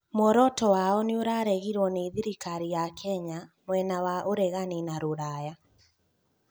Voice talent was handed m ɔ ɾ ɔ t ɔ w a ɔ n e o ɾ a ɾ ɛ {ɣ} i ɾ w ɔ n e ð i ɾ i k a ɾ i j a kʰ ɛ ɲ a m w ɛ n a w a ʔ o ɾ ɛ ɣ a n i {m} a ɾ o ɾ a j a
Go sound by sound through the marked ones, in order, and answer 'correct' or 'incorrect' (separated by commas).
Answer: correct, incorrect